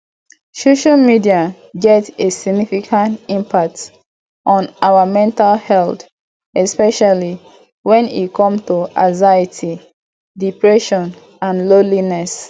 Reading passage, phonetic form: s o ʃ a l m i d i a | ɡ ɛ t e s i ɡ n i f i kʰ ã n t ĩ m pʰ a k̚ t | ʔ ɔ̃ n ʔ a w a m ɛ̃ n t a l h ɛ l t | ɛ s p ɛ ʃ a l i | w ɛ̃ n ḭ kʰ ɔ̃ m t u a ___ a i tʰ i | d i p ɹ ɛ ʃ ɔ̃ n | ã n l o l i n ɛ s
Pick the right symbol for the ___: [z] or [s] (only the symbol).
z